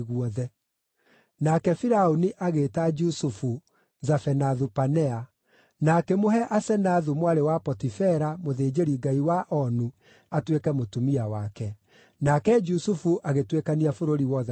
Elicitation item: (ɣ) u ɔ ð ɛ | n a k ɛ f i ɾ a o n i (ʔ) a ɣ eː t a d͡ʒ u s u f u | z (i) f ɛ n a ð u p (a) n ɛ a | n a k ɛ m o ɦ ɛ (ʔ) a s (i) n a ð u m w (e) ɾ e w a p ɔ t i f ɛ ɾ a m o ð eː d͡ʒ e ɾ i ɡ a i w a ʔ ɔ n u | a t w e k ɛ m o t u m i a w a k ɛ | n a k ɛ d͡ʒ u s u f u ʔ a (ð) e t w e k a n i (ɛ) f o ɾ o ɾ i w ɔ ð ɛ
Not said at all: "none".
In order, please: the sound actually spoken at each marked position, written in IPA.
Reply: ɣ, ʔ, a, a, ʔ, ɛ, a, ɣ, a

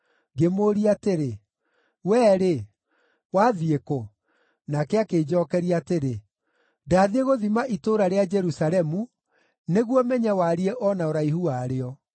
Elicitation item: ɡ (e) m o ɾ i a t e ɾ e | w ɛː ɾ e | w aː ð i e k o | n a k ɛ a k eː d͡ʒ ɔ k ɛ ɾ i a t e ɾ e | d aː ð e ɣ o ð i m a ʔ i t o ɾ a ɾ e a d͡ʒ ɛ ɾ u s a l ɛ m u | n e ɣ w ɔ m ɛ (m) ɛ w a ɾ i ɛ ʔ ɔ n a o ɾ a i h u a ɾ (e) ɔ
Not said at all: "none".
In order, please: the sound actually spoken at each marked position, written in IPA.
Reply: e, ɲ, e

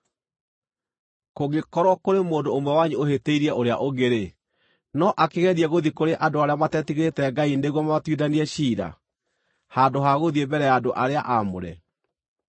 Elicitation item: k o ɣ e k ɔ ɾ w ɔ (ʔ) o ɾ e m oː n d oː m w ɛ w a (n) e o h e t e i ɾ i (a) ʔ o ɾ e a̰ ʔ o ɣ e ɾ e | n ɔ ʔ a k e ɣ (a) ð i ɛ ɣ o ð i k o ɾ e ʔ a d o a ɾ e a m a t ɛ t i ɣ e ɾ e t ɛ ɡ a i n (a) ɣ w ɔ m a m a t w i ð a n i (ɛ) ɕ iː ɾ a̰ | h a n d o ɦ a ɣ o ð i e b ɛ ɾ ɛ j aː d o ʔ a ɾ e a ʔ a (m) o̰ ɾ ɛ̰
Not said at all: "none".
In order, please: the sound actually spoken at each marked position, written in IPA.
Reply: k, ɲ, ɛ, ɛ, e, ɛ, m

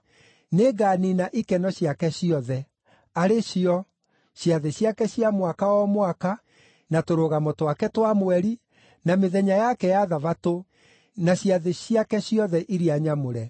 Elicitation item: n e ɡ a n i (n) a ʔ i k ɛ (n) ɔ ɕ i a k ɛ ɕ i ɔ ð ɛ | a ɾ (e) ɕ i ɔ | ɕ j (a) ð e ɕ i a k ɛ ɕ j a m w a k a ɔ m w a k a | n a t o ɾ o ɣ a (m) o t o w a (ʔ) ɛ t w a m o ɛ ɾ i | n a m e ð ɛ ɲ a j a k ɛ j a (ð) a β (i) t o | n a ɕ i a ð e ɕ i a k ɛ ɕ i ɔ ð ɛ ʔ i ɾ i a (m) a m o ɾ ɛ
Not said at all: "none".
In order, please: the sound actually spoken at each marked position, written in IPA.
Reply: n, n, e, a, m, k, ð, a, ɲ

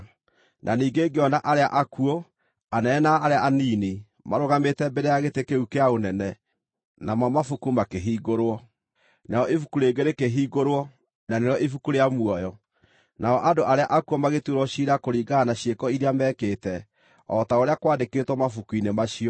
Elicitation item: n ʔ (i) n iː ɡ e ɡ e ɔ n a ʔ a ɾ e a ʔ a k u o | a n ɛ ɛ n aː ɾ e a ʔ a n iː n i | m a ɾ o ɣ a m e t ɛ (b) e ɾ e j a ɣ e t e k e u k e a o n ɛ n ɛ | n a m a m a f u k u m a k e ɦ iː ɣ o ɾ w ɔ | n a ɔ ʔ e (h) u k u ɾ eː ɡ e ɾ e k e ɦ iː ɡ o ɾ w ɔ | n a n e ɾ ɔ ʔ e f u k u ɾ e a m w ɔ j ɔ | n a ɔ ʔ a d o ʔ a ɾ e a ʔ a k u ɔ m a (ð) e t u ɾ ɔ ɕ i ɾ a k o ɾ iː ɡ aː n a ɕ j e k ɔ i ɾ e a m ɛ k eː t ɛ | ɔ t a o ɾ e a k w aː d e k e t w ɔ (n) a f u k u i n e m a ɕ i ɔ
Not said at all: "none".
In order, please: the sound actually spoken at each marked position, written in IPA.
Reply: a, b, f, ɣ, m

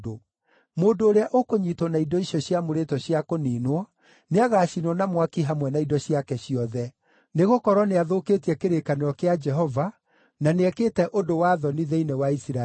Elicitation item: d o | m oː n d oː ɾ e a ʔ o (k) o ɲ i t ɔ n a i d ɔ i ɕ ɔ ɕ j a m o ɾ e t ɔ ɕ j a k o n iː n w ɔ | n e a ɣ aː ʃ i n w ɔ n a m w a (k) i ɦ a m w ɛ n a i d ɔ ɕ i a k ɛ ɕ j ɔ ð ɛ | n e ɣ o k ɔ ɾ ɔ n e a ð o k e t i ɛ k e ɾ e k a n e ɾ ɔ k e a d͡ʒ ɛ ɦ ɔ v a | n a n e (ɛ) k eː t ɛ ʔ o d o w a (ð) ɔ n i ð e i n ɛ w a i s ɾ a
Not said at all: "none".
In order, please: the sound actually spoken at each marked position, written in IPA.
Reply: k, k, ɛ, ð

